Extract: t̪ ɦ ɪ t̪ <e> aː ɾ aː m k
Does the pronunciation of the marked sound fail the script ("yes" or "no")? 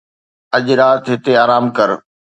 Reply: no